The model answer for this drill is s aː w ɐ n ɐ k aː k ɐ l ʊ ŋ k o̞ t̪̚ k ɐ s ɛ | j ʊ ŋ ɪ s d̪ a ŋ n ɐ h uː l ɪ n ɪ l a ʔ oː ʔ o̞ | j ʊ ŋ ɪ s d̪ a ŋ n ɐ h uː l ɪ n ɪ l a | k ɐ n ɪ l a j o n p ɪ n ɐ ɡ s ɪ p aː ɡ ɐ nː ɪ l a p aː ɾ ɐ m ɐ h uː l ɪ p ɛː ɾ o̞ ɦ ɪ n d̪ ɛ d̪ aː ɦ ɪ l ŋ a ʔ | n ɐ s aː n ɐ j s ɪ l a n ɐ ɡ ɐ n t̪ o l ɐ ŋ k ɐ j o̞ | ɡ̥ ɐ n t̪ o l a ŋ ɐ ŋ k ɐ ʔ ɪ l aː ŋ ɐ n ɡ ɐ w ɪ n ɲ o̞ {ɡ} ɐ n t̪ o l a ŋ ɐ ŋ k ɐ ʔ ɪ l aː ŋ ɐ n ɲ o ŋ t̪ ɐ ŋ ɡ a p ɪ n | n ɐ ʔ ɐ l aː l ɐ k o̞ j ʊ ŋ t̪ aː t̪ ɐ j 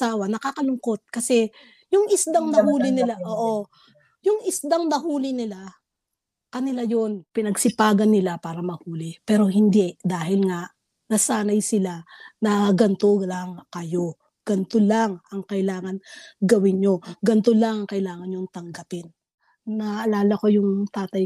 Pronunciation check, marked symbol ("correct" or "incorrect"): correct